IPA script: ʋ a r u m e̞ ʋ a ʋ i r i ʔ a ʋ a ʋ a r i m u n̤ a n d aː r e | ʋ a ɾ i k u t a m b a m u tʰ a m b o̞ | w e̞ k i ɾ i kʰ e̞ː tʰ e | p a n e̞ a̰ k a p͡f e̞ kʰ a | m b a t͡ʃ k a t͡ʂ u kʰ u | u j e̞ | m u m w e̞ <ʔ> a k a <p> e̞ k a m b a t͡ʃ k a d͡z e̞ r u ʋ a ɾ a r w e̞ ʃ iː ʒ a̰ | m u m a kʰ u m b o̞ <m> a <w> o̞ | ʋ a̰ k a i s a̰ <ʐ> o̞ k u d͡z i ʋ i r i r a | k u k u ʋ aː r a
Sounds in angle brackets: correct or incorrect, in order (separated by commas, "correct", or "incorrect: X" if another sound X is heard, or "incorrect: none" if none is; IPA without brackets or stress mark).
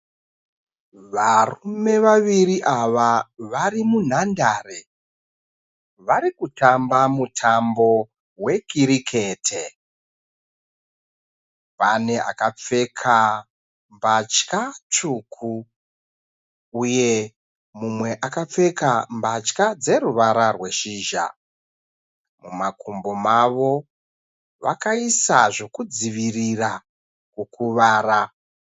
correct, incorrect: p͡f, correct, incorrect: ʋ, correct